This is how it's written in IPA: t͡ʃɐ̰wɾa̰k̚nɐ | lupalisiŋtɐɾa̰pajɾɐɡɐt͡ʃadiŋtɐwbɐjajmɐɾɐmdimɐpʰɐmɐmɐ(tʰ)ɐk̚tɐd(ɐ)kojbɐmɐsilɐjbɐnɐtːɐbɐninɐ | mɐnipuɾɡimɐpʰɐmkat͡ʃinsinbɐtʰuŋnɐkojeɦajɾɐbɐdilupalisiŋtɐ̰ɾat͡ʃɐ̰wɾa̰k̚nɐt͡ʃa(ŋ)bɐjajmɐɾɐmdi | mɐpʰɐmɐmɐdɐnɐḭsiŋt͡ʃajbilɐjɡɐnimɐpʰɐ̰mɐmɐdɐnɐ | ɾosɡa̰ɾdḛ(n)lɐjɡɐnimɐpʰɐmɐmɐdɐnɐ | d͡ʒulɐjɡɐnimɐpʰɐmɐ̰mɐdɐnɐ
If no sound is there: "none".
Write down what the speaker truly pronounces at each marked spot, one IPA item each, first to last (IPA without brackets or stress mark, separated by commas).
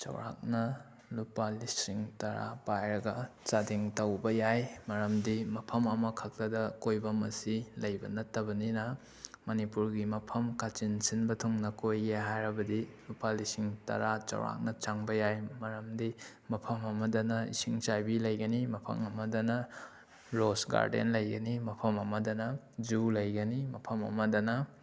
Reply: kʰ, ɐ, ŋ, n